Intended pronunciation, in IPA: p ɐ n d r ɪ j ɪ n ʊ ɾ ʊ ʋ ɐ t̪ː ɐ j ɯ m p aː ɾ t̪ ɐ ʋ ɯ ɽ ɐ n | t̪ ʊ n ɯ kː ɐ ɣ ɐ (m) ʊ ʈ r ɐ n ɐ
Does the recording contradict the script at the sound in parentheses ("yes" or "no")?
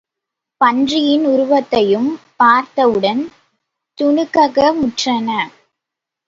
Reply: no